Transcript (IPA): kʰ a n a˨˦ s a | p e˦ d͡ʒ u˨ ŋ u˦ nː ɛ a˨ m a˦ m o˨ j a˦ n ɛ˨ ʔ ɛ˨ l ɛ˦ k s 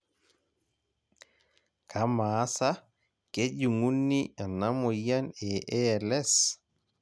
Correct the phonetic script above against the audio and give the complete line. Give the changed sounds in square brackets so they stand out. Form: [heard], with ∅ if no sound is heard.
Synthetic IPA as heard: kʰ a [m] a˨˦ s a | [k] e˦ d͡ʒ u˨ ŋ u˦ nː [i] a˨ [n] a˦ m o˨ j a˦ n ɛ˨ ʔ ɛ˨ l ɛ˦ [∅] s